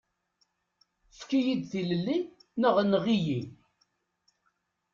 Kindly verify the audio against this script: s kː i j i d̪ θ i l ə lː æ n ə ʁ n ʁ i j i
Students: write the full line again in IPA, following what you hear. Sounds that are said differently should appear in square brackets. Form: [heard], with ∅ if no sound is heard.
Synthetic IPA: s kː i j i d̪ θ i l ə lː [i] n ə ʁ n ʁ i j i